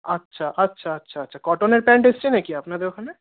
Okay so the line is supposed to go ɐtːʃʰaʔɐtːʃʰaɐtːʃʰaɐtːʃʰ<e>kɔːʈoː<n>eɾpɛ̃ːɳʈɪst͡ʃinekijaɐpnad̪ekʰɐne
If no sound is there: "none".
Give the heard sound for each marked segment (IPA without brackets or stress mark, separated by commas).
a, n